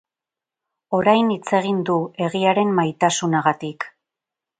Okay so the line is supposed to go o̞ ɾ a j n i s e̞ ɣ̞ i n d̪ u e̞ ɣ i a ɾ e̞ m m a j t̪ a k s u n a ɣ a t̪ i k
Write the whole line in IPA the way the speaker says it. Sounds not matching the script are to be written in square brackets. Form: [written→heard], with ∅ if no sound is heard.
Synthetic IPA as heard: o̞ ɾ a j n i [s→t͡s] e̞ ɣ̞ i n d̪ u e̞ ɣ i a ɾ e̞ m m a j t̪ a [k→∅] s u n a ɣ a t̪ i k